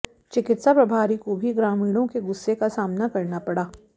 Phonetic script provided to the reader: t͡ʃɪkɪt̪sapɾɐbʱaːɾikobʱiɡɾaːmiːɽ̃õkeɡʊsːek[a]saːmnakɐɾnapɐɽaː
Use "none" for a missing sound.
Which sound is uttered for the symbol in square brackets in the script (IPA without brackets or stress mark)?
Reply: a